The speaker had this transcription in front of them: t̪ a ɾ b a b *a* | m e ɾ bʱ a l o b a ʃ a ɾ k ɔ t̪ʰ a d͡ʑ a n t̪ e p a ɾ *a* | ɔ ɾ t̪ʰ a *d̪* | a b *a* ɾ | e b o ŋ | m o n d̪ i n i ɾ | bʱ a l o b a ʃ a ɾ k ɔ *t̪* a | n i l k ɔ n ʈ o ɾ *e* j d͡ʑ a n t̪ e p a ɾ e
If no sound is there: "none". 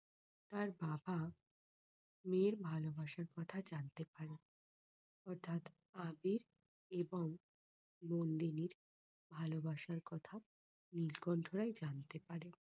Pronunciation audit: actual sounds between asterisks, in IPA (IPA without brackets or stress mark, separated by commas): a, e, t̪, i, t̪ʰ, a